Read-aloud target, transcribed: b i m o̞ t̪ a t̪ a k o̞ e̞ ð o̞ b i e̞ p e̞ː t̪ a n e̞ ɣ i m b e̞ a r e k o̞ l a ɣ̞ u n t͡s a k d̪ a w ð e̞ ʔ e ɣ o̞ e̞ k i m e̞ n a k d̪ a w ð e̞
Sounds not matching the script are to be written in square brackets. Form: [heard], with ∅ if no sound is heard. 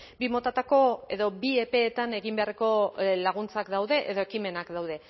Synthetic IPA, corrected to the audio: b i m o̞ t̪ a t̪ a k o̞ e̞ ð o̞ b i e̞ p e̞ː t̪ a n e̞ ɣ i m b e̞ a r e k o̞ l a ɣ̞ u n t͡s a k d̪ a w ð e̞ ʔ e [ð] o̞ e̞ k i m e̞ n a k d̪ a w ð e̞

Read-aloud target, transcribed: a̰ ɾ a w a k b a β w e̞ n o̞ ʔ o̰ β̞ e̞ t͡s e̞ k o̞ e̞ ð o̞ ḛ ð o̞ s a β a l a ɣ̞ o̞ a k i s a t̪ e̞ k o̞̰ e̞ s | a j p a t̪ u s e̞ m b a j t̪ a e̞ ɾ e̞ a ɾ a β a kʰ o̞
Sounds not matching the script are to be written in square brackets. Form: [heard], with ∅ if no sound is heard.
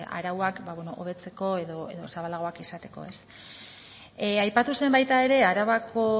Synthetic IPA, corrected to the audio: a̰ ɾ a w a k b a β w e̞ n o̞ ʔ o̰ β̞ e̞ t͡s e̞ k o̞ e̞ ð o̞ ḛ ð o̞ s a β a l a ɣ̞ o̞ a k i s a t̪ e̞ k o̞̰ e̞ s | a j p a t̪ u s e̞ m b a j t̪ a e̞ ɾ e̞ a ɾ a β a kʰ o̞

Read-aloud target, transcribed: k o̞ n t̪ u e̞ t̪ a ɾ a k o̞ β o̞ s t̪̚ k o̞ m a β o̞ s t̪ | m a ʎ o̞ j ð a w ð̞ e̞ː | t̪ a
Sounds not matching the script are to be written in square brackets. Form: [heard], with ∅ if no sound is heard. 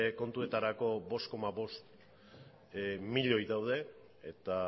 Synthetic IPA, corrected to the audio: k o̞ n t̪ u e̞ t̪ a ɾ a k o̞ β o̞ s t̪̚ k o̞ m a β o̞ s t̪ | m [i] ʎ o̞ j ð a w ð̞ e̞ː | t̪ a

